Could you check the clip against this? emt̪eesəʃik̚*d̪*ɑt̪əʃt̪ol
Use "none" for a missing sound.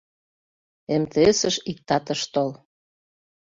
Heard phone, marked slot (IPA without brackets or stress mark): t̪